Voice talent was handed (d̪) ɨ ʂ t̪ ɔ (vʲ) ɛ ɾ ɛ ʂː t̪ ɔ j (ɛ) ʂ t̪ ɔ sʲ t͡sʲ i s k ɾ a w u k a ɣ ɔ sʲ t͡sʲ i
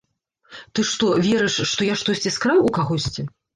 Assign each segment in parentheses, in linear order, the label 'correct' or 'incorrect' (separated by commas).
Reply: incorrect, correct, incorrect